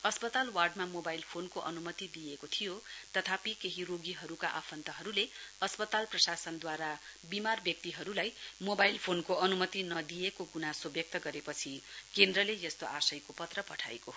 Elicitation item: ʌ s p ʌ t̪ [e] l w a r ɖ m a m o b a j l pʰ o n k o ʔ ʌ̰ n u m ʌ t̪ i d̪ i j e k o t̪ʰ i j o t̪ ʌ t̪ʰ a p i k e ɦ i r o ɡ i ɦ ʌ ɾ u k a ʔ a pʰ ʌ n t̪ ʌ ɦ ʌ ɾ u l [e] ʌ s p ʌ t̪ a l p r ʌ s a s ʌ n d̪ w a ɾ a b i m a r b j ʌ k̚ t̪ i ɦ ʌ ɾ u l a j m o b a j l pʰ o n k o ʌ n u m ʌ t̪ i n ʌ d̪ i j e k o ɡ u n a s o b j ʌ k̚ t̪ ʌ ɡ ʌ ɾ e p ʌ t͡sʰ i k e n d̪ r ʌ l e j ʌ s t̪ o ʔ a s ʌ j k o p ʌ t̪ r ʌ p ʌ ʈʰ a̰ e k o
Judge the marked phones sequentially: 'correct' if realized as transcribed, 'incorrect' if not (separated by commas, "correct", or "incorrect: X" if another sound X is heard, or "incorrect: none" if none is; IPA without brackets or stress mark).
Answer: incorrect: a, correct